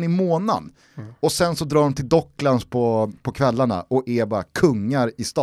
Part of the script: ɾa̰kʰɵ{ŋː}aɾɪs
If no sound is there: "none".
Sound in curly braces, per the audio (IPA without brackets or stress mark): ŋː